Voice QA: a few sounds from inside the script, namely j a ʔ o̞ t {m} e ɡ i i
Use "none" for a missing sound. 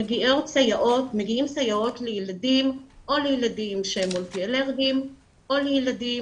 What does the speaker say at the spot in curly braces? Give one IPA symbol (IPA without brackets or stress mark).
m